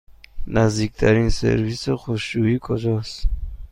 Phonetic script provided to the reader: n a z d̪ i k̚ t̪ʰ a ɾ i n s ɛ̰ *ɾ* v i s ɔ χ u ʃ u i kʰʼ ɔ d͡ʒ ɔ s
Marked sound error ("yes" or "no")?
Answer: no